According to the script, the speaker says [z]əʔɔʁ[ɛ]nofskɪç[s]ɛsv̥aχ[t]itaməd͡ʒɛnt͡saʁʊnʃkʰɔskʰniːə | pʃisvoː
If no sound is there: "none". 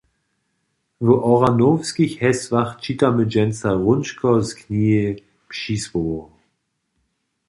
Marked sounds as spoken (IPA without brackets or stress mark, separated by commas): v, a, h, t͡ʃ